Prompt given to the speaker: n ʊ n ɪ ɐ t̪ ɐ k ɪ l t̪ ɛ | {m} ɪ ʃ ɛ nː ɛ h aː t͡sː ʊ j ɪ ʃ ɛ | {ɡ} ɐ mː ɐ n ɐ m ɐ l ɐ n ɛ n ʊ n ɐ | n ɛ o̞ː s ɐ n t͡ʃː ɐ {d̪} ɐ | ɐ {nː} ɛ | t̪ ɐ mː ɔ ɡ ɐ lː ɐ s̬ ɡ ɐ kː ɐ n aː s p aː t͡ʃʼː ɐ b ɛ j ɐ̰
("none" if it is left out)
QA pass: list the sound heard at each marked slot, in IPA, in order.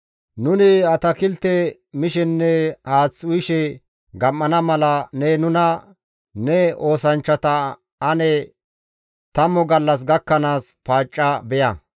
m, ɡ, t̪, n

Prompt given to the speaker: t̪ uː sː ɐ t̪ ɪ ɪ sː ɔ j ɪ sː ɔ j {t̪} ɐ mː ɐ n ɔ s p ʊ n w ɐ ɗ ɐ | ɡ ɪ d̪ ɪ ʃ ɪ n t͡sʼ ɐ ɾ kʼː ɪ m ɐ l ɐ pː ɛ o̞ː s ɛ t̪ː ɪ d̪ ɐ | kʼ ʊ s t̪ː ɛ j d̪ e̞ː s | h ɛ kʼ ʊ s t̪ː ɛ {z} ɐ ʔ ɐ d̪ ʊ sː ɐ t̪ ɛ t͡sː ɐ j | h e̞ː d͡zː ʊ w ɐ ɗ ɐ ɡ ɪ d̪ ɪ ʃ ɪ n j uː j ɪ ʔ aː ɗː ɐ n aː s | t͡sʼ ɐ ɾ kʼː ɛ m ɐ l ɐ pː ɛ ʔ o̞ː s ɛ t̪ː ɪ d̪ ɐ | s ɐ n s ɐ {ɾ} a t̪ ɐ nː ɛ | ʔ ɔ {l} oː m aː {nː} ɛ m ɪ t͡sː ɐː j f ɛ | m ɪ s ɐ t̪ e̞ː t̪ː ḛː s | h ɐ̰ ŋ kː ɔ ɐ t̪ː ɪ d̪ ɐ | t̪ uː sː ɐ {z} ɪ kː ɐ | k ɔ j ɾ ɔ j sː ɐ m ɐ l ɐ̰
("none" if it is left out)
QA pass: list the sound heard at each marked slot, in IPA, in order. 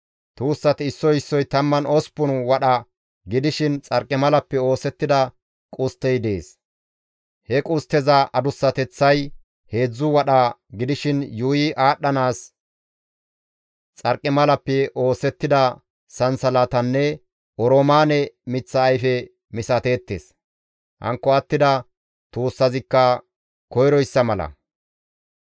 t̪, z, l, ɾ, n, z

